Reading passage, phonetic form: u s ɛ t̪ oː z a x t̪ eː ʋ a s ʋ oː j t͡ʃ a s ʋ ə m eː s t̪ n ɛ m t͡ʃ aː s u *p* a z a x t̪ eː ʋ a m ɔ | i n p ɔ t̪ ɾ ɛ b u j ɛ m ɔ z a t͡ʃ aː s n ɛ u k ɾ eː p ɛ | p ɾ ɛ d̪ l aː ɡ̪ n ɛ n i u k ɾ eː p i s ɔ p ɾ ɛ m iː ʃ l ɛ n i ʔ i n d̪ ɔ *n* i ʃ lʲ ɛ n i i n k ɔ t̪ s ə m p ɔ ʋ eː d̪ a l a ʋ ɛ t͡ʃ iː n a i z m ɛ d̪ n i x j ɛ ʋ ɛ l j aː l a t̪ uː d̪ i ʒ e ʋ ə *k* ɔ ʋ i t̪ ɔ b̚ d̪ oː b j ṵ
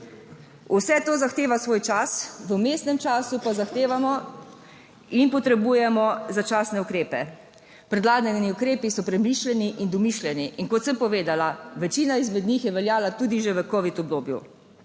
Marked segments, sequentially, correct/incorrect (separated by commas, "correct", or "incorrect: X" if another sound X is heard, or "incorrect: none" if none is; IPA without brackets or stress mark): correct, incorrect: m, correct